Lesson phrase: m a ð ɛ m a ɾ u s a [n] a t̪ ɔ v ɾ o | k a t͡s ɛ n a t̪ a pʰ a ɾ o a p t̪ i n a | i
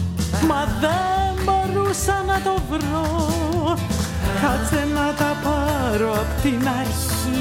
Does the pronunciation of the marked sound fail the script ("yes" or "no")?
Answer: no